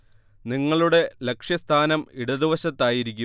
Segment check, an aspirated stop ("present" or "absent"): present